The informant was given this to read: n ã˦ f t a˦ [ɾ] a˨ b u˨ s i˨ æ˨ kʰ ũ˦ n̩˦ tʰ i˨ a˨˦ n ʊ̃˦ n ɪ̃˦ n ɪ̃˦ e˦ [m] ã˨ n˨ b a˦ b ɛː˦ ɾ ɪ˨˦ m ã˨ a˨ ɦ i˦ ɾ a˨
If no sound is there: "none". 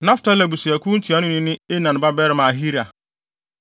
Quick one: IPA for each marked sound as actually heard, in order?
l, n

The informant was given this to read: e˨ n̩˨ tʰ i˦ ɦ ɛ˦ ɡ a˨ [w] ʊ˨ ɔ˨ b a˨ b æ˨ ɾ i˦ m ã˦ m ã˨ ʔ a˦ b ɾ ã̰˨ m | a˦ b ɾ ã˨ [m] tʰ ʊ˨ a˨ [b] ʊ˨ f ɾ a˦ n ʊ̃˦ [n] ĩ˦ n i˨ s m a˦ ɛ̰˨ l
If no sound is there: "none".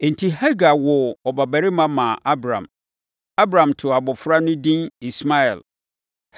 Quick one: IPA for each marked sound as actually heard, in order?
w, m, b, d

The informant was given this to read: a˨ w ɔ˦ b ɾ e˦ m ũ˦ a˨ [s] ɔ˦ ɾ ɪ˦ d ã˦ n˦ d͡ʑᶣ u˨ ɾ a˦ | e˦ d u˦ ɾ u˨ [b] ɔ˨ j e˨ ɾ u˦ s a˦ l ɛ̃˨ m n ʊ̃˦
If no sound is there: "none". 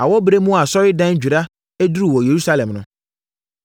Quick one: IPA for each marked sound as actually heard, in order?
s, w

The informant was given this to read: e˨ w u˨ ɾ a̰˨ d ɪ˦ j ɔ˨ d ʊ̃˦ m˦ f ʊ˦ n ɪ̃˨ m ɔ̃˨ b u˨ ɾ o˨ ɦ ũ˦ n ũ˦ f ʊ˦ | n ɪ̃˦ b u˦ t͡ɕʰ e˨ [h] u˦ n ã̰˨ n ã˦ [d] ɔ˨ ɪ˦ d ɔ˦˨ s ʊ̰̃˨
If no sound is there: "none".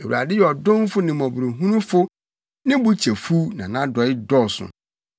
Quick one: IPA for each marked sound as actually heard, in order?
f, d

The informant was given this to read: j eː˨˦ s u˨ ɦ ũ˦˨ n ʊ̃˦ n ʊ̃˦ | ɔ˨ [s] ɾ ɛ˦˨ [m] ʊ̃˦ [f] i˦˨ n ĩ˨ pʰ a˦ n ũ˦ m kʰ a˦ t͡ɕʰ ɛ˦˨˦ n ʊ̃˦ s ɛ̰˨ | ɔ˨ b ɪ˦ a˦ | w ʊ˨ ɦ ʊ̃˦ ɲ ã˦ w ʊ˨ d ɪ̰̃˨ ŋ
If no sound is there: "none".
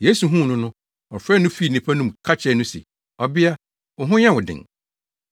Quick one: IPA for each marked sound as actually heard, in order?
f, n, f

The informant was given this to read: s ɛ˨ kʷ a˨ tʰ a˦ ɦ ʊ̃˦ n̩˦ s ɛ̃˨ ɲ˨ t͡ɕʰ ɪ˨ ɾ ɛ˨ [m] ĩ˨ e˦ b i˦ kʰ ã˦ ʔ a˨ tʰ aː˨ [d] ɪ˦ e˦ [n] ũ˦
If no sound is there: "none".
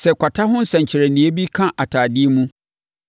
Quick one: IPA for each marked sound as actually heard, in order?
n, d, m

